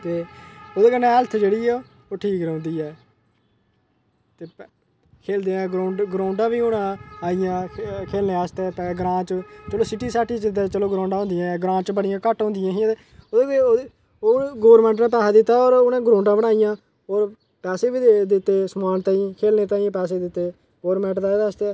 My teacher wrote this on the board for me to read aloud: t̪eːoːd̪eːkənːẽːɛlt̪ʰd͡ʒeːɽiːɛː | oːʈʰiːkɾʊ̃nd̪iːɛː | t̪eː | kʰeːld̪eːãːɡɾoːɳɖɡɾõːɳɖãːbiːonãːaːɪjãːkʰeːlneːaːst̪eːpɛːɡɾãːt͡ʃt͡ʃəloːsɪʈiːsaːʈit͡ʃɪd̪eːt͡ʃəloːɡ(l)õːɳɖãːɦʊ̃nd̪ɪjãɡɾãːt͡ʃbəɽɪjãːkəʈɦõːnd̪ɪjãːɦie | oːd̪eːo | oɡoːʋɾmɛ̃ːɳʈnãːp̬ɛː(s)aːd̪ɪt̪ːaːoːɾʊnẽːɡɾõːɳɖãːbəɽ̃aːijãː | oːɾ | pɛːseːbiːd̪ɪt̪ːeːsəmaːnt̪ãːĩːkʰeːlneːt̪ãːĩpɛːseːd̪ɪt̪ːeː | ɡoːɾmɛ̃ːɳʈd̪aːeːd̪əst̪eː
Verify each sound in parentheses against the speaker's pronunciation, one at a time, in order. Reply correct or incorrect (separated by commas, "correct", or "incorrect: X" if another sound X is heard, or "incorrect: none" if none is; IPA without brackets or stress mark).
incorrect: ɾ, correct